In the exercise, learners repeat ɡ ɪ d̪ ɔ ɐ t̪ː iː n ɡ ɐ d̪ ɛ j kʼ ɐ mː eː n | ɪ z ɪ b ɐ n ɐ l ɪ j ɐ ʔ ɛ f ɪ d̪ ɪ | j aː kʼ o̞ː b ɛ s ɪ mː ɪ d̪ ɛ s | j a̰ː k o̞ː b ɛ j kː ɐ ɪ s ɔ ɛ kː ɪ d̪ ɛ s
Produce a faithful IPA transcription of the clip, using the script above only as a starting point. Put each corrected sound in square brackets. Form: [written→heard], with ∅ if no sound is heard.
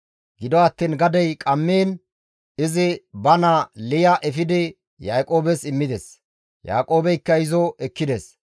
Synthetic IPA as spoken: ɡ ɪ d̪ ɔ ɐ t̪ː iː n ɡ ɐ d̪ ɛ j kʼ ɐ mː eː n | ɪ z ɪ b ɐ n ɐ l ɪ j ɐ ʔ ɛ f ɪ d̪ ɪ | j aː kʼ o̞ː b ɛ s ɪ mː ɪ d̪ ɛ s | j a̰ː [k→kʼ] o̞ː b ɛ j kː ɐ ɪ [s→z] ɔ ɛ kː ɪ d̪ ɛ s

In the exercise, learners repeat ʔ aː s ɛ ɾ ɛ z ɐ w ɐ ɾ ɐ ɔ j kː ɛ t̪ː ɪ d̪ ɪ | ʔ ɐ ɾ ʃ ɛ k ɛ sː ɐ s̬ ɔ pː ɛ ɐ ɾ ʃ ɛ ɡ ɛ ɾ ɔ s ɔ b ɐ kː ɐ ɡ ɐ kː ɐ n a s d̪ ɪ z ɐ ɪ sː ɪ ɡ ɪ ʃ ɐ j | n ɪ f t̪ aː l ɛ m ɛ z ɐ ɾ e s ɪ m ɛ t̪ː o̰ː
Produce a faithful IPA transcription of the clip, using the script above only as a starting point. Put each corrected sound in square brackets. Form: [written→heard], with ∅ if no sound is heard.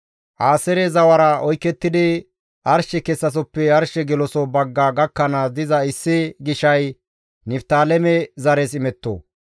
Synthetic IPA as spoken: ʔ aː s ɛ ɾ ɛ z ɐ w ɐ ɾ ɐ ɔ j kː ɛ t̪ː ɪ d̪ ɪ | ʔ ɐ ɾ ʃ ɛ k ɛ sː ɐ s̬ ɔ pː ɛ ɐ ɾ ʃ ɛ ɡ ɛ [ɾ→l] ɔ s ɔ b ɐ [kː→ɡː] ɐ ɡ ɐ kː ɐ n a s d̪ ɪ z ɐ ɪ sː ɪ ɡ ɪ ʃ ɐ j | n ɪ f t̪ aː l ɛ m ɛ z ɐ ɾ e s ɪ m ɛ t̪ː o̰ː

